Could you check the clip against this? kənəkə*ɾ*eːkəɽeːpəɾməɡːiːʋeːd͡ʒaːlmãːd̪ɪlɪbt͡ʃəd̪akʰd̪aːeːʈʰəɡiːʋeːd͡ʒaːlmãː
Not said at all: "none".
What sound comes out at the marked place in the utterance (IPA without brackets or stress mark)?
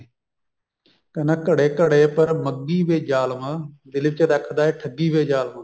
ɽ